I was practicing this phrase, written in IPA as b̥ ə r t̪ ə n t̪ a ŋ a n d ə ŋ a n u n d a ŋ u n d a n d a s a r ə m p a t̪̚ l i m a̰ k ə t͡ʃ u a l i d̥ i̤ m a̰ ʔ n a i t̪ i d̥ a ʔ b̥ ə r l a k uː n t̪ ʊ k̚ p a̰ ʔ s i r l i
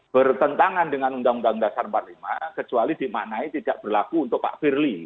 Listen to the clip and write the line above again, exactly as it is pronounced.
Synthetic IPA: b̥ ə r t̪ ə n t̪ a ŋ a n d ə ŋ a n u n d a ŋ u n d a ŋ d a s a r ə m p a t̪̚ l i m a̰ k ə t͡ʃ u a l i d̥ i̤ m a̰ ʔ n a i t̪ i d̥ a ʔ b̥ ə r l a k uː n t̪ ʊ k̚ p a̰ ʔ f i r l i